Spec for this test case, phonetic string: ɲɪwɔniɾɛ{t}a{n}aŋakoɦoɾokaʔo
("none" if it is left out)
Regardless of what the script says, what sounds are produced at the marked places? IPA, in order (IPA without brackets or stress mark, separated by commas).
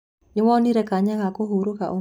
k, ɲ